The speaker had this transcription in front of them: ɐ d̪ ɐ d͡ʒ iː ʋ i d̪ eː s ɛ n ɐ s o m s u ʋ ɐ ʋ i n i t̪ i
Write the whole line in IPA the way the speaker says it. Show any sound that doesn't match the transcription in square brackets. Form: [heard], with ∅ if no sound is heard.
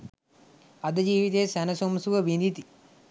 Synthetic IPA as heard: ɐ d̪ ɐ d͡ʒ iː ʋ i [t̪] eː s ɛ n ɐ s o m s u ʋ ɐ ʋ i n i t̪ i